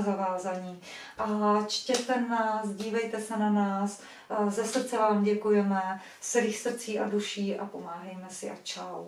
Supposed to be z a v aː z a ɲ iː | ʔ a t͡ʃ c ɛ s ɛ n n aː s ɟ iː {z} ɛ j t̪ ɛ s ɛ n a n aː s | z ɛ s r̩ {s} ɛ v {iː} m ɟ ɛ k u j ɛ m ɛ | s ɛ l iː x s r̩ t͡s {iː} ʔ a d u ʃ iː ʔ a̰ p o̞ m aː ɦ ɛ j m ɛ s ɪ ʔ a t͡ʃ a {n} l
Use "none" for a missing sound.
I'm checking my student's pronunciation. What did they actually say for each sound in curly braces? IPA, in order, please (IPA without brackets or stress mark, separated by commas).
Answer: v, t͡s, aː, iː, none